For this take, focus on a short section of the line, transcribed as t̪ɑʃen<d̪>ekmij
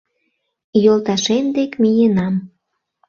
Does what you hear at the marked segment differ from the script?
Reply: no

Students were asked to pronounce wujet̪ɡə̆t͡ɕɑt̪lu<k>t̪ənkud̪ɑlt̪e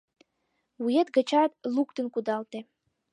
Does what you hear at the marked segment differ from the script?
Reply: no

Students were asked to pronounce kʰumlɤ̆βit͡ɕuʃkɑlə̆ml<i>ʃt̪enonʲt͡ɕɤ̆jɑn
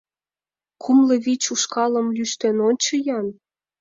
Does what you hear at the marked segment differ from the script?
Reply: yes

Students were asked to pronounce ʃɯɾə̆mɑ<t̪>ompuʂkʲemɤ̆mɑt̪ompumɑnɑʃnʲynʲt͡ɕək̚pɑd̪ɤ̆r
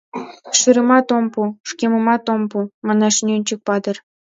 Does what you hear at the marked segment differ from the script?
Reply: no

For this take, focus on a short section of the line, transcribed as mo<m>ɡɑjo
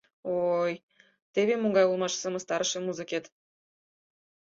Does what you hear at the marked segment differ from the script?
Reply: yes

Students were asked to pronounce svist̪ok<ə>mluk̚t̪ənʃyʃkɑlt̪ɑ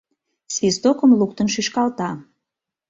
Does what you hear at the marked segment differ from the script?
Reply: no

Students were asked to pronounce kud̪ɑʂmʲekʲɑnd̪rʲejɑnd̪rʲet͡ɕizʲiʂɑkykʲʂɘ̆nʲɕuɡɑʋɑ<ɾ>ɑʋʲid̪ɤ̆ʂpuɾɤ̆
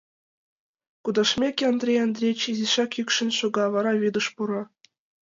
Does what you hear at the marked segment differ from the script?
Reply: no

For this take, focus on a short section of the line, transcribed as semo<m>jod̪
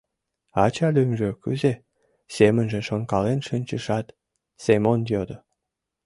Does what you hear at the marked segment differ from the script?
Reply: yes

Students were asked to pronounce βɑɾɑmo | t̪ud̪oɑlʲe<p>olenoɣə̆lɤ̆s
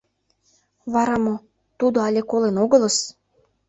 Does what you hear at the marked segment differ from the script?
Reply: yes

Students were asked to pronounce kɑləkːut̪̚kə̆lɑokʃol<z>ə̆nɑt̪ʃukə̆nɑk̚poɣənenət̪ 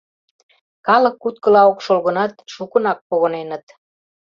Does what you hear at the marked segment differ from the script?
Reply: yes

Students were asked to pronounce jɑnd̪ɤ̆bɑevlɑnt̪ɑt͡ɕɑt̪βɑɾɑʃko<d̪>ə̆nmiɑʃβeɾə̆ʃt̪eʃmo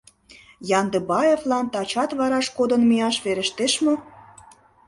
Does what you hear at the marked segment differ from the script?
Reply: no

